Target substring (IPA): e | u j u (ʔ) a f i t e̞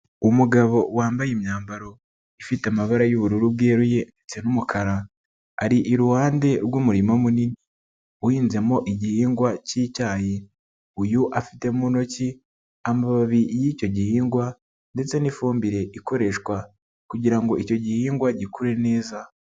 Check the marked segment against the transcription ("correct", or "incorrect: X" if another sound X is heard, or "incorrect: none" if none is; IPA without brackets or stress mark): correct